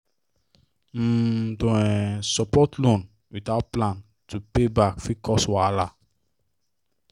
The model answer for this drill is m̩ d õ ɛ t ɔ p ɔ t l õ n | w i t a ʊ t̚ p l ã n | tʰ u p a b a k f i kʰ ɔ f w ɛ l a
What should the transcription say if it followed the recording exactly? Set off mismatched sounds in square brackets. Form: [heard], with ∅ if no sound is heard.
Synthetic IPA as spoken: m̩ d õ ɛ [s] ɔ p ɔ t l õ n | w i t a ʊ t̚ p l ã n | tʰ u p [e] b a k f i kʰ ɔ [s] w [a] l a